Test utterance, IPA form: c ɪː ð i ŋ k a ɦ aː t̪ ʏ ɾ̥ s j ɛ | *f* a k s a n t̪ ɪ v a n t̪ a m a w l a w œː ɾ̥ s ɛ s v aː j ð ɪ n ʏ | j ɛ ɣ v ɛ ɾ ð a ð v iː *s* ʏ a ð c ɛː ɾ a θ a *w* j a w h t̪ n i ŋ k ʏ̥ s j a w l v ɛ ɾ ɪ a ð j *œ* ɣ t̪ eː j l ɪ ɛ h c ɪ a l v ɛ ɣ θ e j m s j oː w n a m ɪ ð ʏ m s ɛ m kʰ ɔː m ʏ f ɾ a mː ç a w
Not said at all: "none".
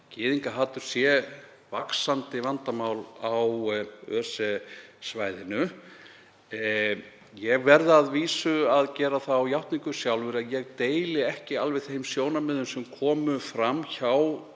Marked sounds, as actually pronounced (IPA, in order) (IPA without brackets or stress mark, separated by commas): v, s, w, ɛ